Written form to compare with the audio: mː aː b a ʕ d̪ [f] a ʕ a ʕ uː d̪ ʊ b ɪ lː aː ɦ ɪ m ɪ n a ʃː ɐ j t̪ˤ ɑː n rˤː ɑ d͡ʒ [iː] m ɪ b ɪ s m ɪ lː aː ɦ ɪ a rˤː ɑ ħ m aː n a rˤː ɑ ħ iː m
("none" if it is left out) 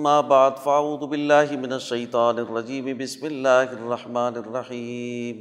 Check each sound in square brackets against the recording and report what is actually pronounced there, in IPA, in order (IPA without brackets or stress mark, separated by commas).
f, iː